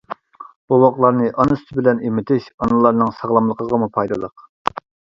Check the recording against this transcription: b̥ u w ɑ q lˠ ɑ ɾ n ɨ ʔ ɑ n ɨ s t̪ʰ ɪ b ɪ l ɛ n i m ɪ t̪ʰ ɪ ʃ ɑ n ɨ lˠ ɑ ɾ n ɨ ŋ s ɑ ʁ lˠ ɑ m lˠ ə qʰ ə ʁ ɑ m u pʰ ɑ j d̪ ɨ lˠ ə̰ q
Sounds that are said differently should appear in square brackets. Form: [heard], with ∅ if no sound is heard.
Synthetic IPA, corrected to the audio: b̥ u w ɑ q lˠ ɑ ɾ n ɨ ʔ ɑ n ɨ s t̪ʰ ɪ b ɪ l ɛ n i m ɪ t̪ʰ ɪ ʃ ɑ n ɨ lˠ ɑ ɾ n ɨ ŋ s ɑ ʁ lˠ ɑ m lˠ ə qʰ ə ʁ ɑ m u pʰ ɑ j d̪ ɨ lˠ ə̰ q